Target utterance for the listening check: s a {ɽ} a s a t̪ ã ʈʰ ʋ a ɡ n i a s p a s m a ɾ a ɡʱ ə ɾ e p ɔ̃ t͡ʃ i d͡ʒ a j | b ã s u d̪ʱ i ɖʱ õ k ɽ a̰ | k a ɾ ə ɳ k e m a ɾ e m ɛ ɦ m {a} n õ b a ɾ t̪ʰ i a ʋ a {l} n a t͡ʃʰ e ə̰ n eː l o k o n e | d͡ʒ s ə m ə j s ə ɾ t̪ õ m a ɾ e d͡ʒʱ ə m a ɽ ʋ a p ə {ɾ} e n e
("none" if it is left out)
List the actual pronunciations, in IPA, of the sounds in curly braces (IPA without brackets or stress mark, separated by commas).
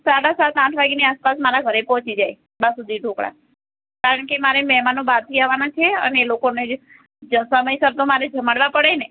ɽ, a, none, ɽ